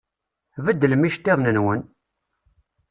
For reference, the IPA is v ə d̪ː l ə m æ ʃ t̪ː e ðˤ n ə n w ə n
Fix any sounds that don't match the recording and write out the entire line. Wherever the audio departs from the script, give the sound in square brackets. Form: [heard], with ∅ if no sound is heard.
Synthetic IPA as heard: v ə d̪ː l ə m [i] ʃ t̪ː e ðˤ n ə n w ə n